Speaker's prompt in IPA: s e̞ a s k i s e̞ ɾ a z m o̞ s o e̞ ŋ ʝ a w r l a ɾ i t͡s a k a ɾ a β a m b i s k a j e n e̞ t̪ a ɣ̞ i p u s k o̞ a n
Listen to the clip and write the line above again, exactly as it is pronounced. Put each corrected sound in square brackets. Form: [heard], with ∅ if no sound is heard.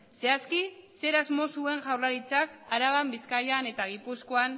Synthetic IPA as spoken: s e̞ a s k i s e̞ ɾ a z m o̞ s [u] e̞ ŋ ʝ a w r l a ɾ i t͡s a k a ɾ a β a m b i s k a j [a] n e̞ t̪ a ɣ̞ i p u s k o̞ a n